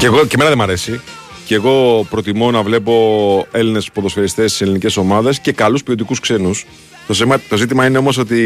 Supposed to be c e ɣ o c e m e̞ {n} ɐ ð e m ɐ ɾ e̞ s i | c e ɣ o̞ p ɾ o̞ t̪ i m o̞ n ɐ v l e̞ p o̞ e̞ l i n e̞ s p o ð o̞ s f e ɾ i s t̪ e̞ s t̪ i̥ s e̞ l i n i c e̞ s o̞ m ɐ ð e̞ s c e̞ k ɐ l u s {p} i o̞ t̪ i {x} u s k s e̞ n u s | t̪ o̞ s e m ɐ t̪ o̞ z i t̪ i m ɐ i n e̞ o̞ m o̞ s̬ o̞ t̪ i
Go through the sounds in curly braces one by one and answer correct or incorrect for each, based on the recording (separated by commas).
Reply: correct, correct, incorrect